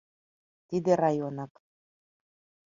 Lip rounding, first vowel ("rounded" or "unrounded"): unrounded